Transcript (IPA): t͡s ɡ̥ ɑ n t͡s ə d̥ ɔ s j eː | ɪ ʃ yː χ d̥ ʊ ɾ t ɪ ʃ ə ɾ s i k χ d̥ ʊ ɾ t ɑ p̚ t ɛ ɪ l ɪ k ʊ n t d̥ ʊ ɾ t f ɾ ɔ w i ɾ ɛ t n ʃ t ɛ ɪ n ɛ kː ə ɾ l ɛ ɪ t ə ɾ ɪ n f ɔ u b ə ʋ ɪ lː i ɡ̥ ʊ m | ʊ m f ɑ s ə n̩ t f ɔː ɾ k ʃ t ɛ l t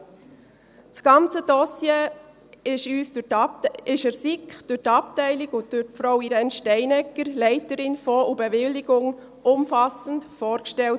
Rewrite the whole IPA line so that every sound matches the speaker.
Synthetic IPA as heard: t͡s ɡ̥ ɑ n t͡s ə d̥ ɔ s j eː | ɪ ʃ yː s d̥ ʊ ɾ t ɪ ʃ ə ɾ s i k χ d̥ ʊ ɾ t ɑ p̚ t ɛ ɪ l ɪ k ʊ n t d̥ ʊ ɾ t f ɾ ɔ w i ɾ ɛ n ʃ t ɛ ɪ n ɛ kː ə ɾ l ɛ ɪ t ə ɾ ɪ n f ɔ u b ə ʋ ɪ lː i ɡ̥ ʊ ŋ | ʊ m f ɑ s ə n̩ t f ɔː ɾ k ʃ t ɛ l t